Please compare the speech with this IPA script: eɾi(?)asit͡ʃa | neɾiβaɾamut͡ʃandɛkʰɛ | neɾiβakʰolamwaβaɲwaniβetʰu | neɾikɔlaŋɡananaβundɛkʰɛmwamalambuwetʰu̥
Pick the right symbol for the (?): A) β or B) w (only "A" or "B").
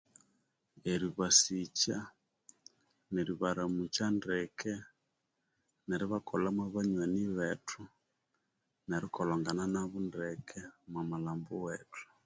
A